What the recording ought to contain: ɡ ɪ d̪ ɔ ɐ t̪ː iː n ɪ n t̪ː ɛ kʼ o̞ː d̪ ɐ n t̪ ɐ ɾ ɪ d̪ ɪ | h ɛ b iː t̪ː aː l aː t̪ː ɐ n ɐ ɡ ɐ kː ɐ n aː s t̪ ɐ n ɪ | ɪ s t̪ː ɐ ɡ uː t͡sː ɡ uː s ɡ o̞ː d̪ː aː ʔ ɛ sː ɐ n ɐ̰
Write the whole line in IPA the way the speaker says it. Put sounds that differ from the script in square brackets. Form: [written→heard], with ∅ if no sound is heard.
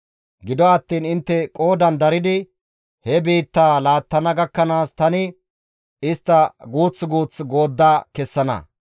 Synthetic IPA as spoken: ɡ ɪ d̪ ɔ ɐ t̪ː iː n ɪ n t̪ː ɛ kʼ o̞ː d̪ ɐ n [t̪→d̪] ɐ ɾ ɪ d̪ ɪ | h ɛ b iː t̪ː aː l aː t̪ː ɐ n ɐ ɡ ɐ kː ɐ n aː s t̪ ɐ n ɪ | ɪ s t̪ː ɐ ɡ uː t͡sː ɡ uː [s→t͡s] ɡ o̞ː d̪ː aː [ʔ→k] ɛ sː ɐ n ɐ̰